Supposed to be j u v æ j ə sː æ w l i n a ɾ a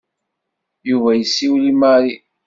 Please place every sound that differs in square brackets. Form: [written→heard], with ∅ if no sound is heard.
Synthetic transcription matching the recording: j u v æ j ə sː [æ→i] w l i [n→m] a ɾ [a→i]